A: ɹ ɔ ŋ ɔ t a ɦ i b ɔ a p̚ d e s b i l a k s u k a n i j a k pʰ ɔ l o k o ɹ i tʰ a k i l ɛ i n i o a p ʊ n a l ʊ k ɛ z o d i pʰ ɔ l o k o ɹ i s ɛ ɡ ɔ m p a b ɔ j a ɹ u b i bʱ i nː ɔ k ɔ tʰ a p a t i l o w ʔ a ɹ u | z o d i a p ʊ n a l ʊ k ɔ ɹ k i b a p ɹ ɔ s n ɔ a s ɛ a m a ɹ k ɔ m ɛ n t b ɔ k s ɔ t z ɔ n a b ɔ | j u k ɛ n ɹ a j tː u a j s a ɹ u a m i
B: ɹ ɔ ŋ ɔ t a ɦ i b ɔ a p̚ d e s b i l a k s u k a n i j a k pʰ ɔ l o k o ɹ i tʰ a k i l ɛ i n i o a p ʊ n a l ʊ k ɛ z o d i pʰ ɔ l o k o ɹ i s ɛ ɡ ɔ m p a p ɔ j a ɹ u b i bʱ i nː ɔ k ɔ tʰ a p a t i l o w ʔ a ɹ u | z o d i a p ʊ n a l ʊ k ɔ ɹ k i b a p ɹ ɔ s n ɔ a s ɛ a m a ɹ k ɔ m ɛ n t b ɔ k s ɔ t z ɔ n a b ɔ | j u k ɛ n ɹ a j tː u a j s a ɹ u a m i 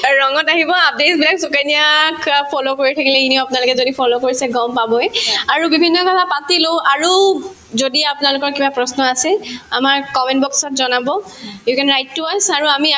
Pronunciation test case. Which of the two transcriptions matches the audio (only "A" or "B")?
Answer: A